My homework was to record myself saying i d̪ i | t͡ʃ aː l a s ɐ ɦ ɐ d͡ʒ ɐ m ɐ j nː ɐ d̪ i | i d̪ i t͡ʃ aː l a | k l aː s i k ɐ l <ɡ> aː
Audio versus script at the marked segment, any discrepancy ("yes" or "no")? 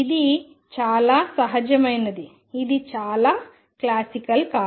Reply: yes